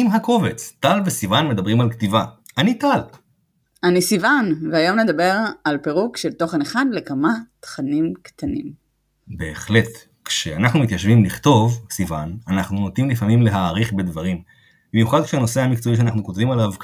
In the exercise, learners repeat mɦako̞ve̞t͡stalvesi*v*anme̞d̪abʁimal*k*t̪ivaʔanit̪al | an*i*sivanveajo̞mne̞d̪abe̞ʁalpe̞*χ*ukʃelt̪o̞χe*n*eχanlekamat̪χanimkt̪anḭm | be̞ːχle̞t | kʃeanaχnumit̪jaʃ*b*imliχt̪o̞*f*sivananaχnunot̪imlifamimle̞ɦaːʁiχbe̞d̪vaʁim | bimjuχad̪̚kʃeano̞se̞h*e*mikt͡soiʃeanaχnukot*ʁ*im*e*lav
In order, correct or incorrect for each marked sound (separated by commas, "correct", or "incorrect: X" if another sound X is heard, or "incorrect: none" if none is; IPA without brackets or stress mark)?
correct, correct, correct, incorrect: ʁ, correct, incorrect: v, incorrect: v, incorrect: a, incorrect: v, incorrect: a